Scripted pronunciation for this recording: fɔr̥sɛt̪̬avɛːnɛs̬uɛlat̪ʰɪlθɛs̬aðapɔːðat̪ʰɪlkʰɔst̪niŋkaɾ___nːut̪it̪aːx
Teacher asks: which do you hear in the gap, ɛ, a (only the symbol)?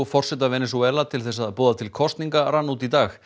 a